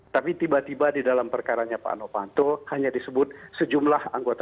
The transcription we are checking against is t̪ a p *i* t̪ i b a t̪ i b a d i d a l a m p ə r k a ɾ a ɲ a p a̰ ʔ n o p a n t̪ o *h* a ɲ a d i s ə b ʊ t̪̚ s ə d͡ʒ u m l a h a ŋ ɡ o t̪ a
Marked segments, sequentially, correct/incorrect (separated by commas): correct, correct